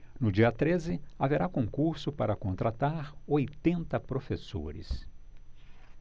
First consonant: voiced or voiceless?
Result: voiced